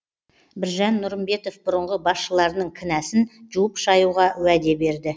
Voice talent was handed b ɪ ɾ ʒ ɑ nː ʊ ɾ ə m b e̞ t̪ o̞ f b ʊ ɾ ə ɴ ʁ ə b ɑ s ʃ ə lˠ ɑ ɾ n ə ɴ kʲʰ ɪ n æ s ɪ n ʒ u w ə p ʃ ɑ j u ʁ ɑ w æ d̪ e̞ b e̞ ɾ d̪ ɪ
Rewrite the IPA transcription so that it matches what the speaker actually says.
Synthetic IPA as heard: b ɪ ɾ ʒ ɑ nː ʊ ɾ ə m b e̞ t̪ o̞ f b ʊ ɾ ə ɴ ʁ ə b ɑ s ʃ ə lˠ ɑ ɾ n ə ɴ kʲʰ ɪ n æ s ɪ n ʒ u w ə p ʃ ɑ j u ʁ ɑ w æ d̪ e̞ b e̞ ɾ d̪ ɪ